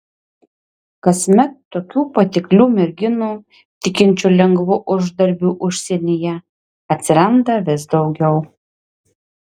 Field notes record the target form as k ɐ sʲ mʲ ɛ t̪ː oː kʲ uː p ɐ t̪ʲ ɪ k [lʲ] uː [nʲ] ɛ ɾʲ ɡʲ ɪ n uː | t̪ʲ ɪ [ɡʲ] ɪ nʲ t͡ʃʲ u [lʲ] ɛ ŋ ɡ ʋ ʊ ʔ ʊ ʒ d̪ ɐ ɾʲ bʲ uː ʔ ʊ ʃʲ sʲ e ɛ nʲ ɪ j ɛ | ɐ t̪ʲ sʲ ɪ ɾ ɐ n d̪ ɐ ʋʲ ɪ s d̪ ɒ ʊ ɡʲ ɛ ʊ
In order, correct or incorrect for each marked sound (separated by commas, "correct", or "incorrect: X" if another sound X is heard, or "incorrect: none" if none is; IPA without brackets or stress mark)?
correct, incorrect: mʲ, incorrect: kʲ, correct